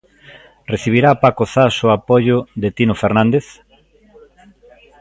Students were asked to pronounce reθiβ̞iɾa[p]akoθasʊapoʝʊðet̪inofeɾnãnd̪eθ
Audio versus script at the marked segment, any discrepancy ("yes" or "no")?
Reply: no